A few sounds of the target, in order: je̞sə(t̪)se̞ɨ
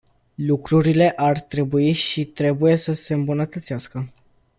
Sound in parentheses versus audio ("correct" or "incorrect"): incorrect